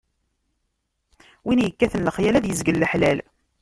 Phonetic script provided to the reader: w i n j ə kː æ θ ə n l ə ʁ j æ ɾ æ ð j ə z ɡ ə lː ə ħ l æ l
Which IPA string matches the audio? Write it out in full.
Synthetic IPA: w i n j ə kː æ θ ə n l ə χ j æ l æ ð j ə z ɡ ə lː ə ħ l æ l